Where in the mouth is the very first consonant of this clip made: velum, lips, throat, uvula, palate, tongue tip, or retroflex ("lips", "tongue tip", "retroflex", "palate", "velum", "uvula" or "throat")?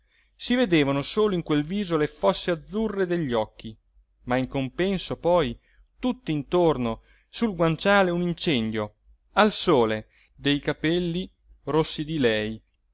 tongue tip